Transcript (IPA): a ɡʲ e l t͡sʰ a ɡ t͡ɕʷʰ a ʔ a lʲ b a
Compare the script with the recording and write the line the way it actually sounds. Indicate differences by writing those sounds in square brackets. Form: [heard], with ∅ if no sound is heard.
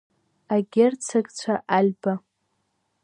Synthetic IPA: a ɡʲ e [r] t͡sʰ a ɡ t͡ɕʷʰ a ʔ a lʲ b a